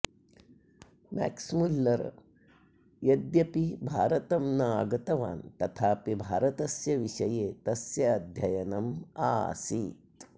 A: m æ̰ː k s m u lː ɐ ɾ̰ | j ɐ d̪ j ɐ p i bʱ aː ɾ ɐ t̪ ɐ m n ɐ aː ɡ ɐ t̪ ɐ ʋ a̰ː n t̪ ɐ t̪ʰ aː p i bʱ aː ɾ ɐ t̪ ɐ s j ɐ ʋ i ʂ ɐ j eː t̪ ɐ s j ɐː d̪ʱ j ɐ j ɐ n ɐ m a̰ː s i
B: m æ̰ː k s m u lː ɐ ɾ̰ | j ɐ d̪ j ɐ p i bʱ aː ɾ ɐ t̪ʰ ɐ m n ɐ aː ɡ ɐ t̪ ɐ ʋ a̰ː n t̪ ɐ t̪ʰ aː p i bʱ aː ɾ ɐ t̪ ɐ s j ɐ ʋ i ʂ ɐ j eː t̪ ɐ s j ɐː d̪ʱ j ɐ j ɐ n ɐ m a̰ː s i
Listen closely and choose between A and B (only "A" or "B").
A